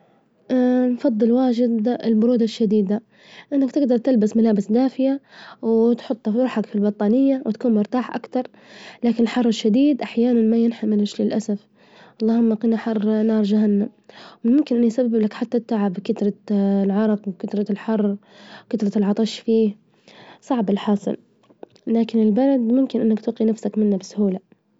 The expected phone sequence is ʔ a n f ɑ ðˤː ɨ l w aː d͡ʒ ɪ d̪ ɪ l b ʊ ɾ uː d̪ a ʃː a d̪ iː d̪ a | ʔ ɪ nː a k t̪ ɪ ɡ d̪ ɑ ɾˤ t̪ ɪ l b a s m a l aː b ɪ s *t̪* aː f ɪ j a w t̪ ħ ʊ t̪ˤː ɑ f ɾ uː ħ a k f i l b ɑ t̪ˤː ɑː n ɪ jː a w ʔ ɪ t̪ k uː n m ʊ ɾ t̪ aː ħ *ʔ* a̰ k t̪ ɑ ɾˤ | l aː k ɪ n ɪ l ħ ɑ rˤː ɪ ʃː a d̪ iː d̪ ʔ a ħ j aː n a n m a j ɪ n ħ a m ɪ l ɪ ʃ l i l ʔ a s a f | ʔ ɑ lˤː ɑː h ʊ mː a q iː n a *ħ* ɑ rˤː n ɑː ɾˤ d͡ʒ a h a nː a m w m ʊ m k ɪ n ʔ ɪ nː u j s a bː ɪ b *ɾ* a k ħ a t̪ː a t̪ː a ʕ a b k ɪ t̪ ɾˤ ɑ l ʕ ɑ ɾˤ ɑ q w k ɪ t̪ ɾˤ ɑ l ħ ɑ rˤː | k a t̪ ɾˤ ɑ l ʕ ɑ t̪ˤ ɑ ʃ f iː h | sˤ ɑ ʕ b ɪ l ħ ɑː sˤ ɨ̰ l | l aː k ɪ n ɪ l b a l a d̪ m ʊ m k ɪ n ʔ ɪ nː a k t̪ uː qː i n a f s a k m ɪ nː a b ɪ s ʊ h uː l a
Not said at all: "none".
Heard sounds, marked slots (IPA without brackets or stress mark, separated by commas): d̪, ʔ, ħ, l